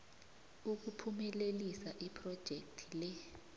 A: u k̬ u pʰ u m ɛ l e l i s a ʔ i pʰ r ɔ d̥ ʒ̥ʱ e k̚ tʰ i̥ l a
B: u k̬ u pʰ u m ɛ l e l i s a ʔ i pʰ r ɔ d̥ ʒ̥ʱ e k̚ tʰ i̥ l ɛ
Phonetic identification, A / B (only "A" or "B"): B